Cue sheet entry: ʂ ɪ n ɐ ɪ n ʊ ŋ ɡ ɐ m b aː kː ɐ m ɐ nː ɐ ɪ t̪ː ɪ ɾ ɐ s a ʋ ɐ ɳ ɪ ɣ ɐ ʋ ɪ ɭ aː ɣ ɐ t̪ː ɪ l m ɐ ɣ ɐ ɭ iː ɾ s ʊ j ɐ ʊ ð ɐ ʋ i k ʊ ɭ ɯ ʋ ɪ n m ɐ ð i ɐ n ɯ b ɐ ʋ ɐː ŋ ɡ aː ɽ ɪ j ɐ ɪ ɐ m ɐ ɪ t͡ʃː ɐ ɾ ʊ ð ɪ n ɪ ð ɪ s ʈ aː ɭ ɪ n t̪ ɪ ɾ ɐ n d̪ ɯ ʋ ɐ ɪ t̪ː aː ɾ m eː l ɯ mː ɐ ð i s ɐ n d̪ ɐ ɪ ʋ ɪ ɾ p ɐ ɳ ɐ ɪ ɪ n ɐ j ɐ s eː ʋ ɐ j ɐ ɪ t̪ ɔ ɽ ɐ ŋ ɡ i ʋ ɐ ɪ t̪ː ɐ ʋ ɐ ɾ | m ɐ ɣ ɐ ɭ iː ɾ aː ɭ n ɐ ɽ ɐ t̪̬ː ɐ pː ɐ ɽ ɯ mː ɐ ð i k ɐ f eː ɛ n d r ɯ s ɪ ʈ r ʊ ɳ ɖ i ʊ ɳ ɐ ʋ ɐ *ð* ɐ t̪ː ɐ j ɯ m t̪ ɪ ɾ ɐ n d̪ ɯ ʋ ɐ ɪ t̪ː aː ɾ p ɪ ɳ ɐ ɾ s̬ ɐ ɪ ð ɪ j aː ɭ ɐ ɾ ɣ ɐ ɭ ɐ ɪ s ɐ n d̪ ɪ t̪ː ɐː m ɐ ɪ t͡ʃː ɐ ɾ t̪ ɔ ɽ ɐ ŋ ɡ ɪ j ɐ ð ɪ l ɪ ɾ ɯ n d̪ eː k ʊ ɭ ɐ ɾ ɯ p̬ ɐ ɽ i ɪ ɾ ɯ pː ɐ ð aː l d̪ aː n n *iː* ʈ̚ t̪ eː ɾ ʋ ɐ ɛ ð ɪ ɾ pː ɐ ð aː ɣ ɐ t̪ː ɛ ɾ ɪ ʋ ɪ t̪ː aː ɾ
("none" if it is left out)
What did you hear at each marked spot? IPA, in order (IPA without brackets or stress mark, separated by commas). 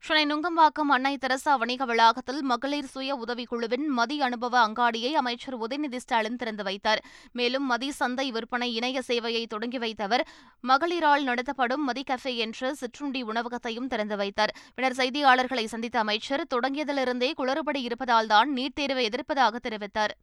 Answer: ɣ, iː